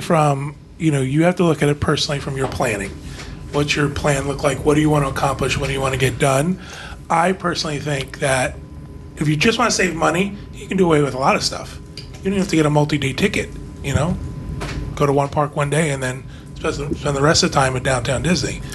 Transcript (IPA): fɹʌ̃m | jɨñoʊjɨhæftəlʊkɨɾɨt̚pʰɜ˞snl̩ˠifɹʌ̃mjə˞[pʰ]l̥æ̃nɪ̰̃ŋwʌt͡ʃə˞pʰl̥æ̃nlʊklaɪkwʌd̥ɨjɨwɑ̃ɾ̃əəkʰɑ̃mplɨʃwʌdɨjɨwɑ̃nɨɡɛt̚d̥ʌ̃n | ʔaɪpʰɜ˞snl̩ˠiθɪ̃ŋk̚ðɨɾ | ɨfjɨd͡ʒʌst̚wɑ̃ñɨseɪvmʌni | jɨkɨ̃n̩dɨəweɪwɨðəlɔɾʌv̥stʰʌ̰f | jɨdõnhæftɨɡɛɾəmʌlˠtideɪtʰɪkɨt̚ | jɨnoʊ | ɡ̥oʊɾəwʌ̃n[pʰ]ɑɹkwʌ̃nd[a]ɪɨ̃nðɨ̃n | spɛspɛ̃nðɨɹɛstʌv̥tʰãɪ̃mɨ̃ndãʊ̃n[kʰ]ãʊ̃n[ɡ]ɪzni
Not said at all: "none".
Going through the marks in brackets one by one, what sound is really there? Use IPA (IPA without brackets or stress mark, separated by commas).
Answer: pʰ, pʰ, e, tʰ, d